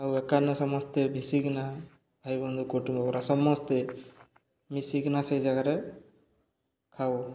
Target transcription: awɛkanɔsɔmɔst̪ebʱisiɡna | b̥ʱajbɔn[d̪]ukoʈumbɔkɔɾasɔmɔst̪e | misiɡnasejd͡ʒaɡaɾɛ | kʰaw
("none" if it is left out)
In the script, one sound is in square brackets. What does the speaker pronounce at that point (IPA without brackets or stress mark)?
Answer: d̪